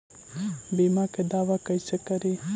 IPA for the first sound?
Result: b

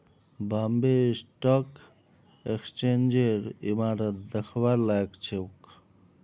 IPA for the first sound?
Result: b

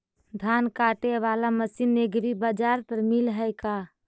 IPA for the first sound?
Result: d̪ʱ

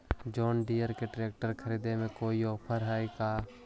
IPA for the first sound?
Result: d͡ʒ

